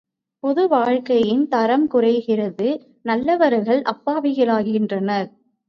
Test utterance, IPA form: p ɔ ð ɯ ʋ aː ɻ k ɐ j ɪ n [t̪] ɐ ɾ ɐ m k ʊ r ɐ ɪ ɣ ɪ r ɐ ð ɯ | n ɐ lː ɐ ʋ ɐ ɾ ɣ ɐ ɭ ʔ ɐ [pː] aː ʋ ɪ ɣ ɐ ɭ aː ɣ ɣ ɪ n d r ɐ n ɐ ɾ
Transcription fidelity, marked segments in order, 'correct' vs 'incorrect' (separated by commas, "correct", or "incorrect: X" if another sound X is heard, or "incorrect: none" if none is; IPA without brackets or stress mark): correct, correct